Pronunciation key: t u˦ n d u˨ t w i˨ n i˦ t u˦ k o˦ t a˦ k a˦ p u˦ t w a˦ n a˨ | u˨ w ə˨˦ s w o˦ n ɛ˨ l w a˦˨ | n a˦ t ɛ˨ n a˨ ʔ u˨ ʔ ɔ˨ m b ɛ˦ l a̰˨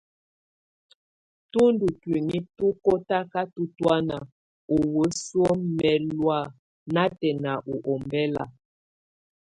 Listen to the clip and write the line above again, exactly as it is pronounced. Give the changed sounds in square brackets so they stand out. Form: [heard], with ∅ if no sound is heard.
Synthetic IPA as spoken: t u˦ n d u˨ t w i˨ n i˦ t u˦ k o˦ t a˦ k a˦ [t] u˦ t w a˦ n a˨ | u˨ w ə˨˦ s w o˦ [m] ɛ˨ l w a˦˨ | n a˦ t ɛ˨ n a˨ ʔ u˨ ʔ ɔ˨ m b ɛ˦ l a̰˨